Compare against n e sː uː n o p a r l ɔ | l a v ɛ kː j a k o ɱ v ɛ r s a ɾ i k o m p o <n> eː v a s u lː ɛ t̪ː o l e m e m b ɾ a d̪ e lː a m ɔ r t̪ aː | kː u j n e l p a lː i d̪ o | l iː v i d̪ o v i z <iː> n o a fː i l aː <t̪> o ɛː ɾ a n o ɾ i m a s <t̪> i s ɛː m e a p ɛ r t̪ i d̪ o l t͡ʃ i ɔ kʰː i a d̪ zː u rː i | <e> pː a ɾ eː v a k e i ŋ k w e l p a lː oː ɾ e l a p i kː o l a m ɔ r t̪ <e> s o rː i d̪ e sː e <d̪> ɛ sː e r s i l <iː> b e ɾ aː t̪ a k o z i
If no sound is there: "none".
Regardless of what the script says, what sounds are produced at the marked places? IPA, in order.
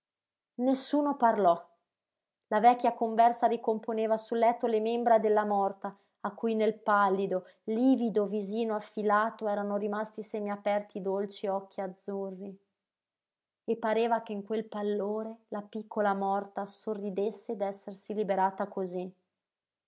n, iː, t̪, t̪, e, a, d̪, i

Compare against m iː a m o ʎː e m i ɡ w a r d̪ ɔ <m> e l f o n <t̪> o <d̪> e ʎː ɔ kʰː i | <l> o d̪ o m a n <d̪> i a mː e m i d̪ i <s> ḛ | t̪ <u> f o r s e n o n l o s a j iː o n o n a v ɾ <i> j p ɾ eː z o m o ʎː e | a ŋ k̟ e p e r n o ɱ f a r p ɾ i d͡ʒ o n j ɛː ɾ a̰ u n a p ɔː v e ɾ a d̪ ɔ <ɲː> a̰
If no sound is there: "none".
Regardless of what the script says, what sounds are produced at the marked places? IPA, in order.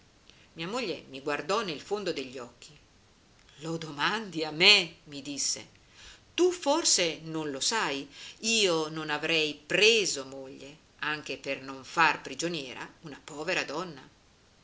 n, d̪, d̪, l, d̪, sː, u, ɛ, nː

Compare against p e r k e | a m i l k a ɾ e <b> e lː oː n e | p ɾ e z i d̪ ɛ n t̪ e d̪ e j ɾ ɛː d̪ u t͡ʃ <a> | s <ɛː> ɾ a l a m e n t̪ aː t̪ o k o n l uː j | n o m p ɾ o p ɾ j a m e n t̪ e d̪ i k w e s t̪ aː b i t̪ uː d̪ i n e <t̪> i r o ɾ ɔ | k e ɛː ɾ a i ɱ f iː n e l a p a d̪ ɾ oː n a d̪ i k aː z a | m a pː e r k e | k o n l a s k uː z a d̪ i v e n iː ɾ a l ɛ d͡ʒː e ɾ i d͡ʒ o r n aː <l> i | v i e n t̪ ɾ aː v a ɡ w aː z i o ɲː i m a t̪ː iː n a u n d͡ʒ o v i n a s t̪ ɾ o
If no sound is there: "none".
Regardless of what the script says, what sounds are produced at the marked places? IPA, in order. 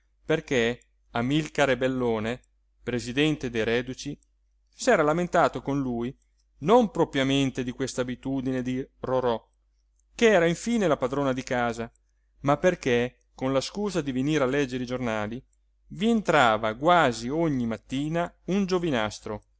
b, i, ɛː, d̪, l

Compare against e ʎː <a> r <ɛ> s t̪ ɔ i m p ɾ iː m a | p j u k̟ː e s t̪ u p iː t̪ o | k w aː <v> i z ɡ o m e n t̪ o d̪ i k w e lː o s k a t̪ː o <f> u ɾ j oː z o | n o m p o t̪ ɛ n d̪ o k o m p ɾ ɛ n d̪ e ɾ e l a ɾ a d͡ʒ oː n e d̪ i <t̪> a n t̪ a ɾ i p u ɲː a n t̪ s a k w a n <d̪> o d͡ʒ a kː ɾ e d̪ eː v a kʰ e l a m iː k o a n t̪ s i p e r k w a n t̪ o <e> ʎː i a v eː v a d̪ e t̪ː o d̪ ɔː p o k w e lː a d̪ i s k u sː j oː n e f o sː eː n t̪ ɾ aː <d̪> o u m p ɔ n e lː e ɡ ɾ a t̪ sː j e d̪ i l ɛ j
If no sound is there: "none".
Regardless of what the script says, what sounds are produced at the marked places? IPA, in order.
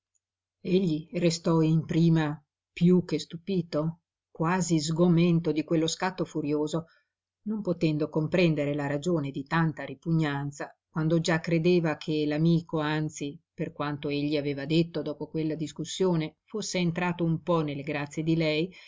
i, e, z, f, t̪, d̪, e, t̪

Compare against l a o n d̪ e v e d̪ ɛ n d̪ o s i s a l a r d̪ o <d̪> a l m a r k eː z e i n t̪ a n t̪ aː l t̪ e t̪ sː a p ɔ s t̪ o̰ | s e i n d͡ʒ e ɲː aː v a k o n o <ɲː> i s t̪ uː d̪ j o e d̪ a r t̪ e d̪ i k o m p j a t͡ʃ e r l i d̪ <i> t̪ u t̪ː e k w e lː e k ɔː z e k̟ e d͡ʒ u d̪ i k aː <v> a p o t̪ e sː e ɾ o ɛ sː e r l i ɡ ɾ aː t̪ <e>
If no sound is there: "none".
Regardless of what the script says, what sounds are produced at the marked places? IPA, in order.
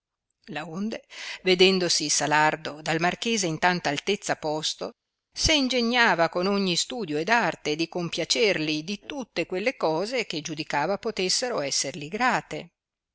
d̪, ɲː, i, v, e

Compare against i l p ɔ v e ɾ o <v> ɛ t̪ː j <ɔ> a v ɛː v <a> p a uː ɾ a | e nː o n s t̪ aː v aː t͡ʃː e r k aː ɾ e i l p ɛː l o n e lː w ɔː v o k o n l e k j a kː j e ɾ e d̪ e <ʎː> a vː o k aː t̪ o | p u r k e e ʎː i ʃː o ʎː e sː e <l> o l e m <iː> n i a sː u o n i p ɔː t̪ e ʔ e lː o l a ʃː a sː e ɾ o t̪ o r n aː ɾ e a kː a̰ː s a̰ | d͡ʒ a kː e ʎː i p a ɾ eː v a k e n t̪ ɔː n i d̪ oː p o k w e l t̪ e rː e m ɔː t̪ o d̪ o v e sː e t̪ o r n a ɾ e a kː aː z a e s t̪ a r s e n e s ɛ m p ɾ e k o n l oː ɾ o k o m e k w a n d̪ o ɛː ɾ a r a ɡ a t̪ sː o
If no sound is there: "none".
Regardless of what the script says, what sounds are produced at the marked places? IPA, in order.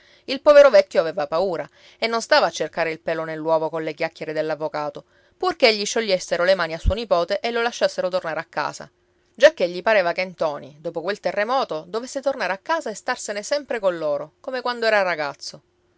v, o, a, lː, ɾ, aː

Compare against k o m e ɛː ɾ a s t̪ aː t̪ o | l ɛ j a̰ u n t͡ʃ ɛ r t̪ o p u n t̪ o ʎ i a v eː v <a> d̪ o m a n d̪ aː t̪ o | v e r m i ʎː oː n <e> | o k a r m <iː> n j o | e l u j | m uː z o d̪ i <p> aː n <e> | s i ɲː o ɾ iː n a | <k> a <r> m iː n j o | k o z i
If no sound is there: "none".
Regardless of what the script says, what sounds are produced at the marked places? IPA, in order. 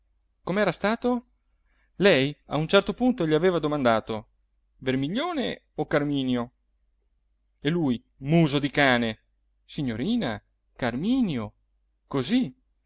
a, e, iː, k, e, k, r

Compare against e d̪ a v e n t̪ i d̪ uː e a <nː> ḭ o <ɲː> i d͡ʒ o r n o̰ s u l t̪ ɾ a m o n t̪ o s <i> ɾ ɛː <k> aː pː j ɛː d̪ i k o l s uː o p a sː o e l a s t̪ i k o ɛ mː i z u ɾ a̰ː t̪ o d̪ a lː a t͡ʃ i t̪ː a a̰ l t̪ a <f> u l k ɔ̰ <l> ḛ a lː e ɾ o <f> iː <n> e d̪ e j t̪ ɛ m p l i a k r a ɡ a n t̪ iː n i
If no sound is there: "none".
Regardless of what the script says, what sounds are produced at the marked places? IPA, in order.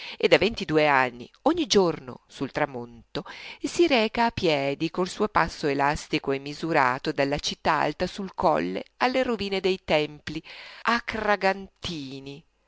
nː, ɲː, i, k, s, lː, v, n

